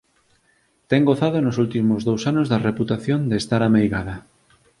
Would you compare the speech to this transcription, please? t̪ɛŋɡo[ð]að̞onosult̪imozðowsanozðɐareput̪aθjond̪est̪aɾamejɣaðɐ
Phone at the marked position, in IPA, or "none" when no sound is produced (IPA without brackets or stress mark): θ